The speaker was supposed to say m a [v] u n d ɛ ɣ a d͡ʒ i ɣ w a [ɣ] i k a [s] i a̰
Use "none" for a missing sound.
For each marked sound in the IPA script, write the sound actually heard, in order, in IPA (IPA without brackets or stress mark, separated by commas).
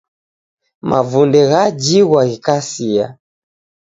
v, ɣ, s